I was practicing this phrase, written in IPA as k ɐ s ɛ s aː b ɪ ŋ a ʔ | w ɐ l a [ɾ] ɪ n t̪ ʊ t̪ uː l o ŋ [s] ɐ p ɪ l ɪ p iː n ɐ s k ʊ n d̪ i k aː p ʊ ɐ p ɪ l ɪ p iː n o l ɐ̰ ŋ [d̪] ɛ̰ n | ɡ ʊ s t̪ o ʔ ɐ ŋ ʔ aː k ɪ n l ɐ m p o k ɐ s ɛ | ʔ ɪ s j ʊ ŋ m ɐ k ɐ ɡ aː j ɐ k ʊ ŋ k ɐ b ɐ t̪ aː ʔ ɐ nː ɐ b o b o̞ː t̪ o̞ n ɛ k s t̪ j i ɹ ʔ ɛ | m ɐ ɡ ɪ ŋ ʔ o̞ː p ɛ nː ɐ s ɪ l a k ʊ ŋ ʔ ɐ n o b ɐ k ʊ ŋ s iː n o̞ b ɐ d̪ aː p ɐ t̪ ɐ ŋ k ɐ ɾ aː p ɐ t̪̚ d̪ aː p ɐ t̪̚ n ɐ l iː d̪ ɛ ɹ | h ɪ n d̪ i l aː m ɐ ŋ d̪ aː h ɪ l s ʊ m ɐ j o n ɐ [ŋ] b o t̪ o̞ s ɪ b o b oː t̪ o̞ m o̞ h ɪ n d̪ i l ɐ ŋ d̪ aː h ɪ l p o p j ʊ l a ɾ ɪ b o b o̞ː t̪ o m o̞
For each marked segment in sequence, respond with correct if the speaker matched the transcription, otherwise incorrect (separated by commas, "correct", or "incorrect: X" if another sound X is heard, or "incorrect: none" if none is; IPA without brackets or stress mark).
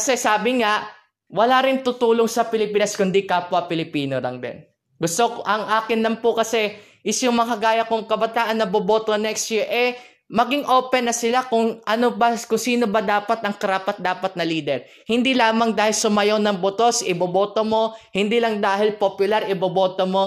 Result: correct, correct, correct, correct